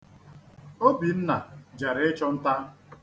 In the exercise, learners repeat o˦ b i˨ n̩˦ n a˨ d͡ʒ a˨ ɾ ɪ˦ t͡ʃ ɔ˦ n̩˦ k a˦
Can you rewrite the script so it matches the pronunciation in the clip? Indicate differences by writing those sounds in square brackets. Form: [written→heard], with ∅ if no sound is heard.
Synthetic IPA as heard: o˦ b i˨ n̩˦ n a˨ d͡ʒ a˨ ɾ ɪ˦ t͡ʃ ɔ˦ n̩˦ [k→t] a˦